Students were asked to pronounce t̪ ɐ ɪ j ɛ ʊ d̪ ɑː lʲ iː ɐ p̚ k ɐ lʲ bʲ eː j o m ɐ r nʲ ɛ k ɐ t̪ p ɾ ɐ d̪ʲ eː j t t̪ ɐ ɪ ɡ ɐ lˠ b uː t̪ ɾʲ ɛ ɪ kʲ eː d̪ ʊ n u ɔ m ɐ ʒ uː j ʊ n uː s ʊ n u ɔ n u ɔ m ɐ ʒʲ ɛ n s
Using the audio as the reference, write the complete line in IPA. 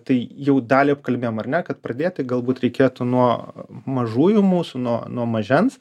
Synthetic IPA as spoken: t̪ ɐ ɪ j ɛ ʊ d̪ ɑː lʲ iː ɐ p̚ k ɐ lʲ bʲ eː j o m ɐ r nʲ ɛ k ɐ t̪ p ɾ ɐ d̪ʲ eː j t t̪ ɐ ɪ ɡ ɐ lˠ b uː t̪ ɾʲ ɛ ɪ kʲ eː t̪ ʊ n u ɔ m ɐ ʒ uː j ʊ m uː s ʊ n u ɔ n u ɔ m ɐ ʒʲ ɛ n s

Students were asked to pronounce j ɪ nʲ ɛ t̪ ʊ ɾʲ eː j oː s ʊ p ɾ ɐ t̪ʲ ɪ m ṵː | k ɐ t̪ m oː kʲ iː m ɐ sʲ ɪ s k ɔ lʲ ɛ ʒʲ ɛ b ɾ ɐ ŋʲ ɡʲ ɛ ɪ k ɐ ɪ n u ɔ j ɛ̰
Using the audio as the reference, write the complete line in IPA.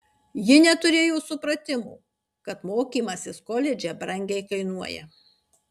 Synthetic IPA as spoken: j ɪ nʲ ɛ t̪ ʊ ɾʲ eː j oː s ʊ p ɾ ɐ t̪ʲ ɪ m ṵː | k ɐ t̪ m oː kʲ iː m ɐ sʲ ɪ s k ɔ lʲ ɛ d͡ʒʲ ɛ b ɾ ɐ ŋʲ ɡʲ ɛ ɪ k ɐ ɪ n u ɔ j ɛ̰

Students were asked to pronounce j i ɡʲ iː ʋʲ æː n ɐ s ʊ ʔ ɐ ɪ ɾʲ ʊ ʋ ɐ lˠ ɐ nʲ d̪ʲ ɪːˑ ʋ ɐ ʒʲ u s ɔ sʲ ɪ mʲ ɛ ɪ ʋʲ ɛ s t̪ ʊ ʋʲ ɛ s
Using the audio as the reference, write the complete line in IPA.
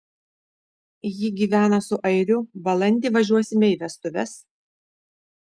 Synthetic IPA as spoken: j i ɡʲ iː ʋʲ æː n ɐ s ʊ ʔ ɐ ɪ ɾʲ ʊ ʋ ɐ lˠ ɐ nʲ d̪ʲ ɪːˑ ʋ ɐ ʒʲ u ɔ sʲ ɪ mʲ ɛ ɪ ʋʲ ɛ s t̪ ʊ ʋʲ ɛ s

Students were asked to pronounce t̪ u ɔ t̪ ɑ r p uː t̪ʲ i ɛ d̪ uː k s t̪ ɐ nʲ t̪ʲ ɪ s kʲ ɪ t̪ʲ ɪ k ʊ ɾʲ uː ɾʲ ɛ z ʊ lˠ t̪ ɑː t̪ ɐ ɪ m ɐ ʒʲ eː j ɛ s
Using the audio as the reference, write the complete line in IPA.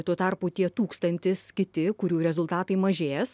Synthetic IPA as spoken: t̪ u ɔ t̪ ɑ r p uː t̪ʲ i ɛ t̪ uː k s t̪ ɐ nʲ t̪ʲ ɪ s kʲ ɪ t̪ʲ ɪ k ʊ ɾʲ uː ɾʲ ɛ z ʊ lˠ t̪ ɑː t̪ ɐ ɪ m ɐ ʒʲ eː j ɛ s

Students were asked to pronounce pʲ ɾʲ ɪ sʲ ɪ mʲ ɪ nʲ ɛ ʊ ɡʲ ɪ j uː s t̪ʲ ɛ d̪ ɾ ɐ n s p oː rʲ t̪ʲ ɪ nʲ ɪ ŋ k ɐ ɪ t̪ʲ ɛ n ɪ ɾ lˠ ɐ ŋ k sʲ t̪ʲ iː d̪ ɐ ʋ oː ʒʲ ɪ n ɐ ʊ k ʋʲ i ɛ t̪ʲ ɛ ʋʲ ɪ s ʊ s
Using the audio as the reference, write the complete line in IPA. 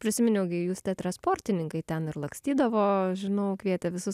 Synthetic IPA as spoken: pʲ ɾʲ ɪ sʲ ɪ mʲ ɪ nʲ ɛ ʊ ɡʲ ɪ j uː s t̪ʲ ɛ t̪ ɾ ɐ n s p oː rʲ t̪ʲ ɪ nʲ ɪ ŋ k ɐ ɪ t̪ʲ ɛ n ɪ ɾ lˠ ɐ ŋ k sʲ t̪ʲ iː d̪ ɐ ʋ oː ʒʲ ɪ n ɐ ʊ k ʋʲ i ɛ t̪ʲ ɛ ʋʲ ɪ s ʊ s

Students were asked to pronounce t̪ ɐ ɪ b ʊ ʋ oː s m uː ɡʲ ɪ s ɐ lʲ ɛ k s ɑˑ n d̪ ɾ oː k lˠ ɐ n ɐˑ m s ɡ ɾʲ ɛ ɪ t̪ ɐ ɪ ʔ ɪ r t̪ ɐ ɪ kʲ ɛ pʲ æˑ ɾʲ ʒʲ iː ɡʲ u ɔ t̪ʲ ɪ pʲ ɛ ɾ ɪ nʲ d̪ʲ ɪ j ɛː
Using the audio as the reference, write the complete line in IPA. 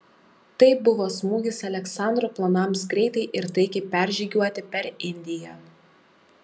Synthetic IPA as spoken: t̪ ɐ ɪ b ʊ ʋ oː s m uː ɡʲ ɪ s ɐ lʲ ɛ k s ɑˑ n d̪ ɾ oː p lˠ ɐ n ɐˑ m s ɡ ɾʲ ɛ ɪ t̪ ɐ ɪ ʔ ɪ ɾ t̪ ɐ ɪ kʲ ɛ pʲ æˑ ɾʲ ʒʲ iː ɡʲ u ɔ t̪ʲ ɪ pʲ ɛ ɾ ɪ nʲ d̪ʲ ɪ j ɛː

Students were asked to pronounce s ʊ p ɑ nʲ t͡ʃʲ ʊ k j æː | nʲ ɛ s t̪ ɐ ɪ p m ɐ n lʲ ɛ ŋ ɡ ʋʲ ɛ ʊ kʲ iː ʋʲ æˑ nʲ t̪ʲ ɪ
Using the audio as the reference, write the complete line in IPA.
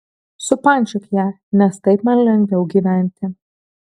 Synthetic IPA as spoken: s ʊ p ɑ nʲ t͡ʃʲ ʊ k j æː | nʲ ɛ s t̪ ɐ ɪ p m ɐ n lʲ ɛ ŋ ɡ ʋʲ ɛ ʊ ɡʲ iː ʋʲ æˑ nʲ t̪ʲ ɪ

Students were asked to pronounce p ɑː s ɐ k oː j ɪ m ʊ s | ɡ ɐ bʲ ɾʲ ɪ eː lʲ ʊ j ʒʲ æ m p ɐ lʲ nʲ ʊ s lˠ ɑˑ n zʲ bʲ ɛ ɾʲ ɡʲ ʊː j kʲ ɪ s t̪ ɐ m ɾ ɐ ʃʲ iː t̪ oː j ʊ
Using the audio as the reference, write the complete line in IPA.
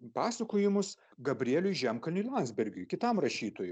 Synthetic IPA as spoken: p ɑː s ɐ k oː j ɪ m ʊ s | ɡ ɐ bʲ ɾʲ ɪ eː lʲ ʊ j ʒʲ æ m k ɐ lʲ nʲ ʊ lˠ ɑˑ n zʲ bʲ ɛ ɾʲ ɡʲ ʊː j kʲ ɪ t̪ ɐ m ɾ ɐ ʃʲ iː t̪ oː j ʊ

